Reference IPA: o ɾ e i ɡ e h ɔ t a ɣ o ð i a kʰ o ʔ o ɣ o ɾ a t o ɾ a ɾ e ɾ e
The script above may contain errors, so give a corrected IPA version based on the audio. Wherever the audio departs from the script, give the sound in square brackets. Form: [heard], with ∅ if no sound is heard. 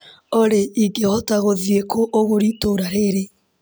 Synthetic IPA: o ɾ e i ɡ e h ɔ t a ɣ o ð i [e] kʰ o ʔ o ɣ o ɾ [i] t o ɾ a ɾ e ɾ e